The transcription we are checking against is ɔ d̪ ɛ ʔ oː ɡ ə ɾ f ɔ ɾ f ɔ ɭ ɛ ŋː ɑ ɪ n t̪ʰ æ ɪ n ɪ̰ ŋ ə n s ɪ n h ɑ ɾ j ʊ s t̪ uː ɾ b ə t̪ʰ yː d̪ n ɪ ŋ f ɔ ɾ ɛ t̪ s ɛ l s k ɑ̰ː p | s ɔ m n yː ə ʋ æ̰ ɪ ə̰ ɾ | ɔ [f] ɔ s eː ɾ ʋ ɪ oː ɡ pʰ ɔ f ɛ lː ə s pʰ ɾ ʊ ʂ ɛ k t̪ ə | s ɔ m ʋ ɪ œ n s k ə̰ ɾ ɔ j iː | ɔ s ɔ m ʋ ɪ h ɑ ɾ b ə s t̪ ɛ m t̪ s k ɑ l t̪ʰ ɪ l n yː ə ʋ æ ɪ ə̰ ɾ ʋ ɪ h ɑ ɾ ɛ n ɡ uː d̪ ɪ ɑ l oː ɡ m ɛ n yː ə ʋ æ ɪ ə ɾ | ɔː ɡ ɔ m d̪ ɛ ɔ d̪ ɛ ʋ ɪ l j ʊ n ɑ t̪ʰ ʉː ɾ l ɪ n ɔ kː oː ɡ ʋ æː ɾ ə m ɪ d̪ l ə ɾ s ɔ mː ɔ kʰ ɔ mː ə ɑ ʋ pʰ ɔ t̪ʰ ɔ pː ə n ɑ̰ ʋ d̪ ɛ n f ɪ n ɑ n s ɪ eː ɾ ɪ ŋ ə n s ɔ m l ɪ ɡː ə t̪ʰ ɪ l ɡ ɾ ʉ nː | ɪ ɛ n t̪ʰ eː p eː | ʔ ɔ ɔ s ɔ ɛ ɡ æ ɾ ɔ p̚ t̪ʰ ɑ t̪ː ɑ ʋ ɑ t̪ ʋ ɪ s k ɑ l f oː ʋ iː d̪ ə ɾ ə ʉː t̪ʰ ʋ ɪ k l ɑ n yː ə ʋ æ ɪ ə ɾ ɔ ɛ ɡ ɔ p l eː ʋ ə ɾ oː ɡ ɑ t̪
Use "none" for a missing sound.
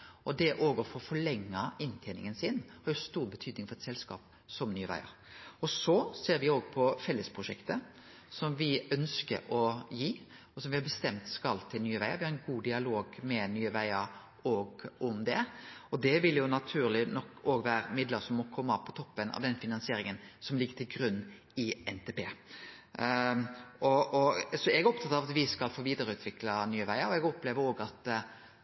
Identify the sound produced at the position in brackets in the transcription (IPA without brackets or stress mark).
s